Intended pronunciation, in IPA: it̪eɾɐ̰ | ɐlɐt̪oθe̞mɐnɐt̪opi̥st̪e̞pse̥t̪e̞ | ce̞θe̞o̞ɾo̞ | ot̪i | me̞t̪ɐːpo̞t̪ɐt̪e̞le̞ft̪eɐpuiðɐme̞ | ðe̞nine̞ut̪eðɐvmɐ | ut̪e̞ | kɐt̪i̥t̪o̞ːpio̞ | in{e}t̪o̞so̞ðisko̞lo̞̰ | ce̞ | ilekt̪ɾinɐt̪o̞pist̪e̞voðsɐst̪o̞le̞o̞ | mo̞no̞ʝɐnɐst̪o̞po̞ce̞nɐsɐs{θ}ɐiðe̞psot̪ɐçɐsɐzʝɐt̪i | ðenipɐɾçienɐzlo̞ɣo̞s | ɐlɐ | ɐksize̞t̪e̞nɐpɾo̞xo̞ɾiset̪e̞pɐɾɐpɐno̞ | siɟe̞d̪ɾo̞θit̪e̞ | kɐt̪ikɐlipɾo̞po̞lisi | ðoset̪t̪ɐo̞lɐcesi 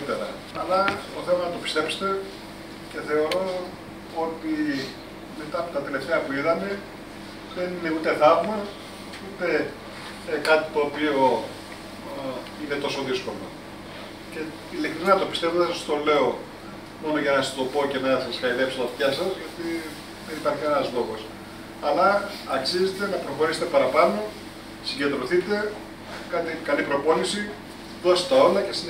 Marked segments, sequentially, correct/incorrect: correct, incorrect

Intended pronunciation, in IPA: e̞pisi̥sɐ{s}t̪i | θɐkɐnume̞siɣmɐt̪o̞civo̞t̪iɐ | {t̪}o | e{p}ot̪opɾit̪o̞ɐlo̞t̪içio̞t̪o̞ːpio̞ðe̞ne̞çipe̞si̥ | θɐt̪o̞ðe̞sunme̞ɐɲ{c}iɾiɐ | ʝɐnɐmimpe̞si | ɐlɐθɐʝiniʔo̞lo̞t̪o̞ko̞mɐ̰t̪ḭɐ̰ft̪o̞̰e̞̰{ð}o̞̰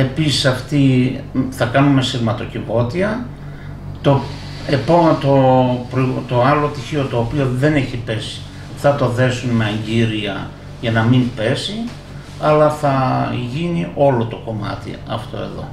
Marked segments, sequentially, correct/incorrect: incorrect, correct, correct, incorrect, correct

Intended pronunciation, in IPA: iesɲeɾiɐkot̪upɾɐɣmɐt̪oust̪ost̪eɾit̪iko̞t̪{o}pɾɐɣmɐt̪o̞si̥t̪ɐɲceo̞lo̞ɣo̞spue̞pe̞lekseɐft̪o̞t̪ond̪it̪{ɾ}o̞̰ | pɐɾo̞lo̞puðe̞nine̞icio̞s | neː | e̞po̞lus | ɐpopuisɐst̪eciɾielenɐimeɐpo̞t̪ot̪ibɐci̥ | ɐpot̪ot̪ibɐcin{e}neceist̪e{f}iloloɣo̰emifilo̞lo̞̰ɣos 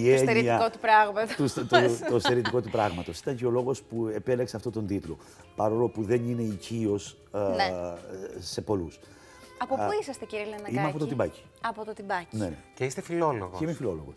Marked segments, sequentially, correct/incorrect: incorrect, incorrect, correct, correct

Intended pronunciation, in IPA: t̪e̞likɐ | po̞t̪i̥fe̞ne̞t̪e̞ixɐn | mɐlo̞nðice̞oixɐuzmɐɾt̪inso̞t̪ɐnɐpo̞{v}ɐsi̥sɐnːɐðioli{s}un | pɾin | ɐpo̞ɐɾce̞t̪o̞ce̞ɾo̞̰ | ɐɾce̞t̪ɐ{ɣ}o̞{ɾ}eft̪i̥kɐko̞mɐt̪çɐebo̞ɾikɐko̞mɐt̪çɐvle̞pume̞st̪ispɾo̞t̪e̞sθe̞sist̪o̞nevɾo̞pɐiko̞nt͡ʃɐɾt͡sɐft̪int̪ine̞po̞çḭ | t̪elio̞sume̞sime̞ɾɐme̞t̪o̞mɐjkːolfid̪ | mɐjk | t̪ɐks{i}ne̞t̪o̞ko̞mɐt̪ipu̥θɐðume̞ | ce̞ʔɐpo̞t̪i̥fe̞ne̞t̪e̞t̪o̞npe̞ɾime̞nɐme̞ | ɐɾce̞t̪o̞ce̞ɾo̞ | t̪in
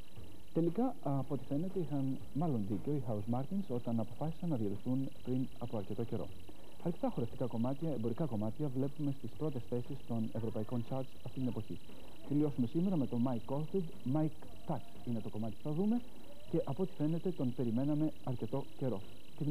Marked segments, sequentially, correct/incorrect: incorrect, incorrect, incorrect, correct, correct

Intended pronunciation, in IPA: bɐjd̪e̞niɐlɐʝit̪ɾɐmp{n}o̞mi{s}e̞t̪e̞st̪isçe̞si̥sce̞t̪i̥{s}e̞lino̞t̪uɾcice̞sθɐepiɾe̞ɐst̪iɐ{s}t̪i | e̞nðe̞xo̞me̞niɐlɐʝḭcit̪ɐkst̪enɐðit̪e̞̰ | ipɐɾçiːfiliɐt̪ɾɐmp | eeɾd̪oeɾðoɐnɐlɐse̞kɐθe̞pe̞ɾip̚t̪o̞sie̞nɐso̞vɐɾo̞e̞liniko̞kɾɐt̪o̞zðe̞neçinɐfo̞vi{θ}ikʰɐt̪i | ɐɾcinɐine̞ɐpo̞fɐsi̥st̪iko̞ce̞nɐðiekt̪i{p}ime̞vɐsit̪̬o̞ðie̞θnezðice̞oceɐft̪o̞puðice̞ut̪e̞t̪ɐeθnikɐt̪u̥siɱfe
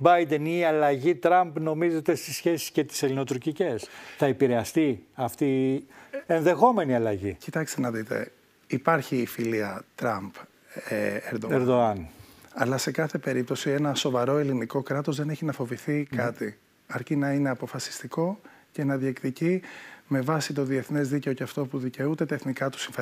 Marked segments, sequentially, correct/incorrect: correct, incorrect, correct, incorrect, correct, incorrect

